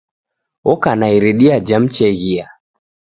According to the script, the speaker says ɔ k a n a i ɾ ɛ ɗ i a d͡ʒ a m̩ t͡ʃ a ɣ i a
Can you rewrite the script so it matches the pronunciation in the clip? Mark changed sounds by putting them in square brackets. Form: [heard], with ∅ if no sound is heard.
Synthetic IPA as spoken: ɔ k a n a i ɾ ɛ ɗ i a d͡ʒ a m̩ t͡ʃ [ɛ] ɣ i a